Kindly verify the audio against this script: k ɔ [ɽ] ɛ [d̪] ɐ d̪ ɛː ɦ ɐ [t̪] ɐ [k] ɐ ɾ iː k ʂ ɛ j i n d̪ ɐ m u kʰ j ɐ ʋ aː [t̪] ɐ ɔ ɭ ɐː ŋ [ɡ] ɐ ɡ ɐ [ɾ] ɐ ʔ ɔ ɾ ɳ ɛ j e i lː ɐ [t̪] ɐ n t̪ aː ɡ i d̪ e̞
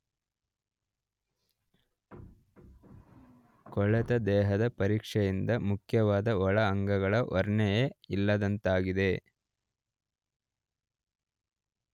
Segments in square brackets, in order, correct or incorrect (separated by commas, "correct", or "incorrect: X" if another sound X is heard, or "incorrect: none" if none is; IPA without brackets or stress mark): incorrect: ɭ, incorrect: t̪, incorrect: d̪, incorrect: p, incorrect: d̪, correct, incorrect: ɭ, incorrect: d̪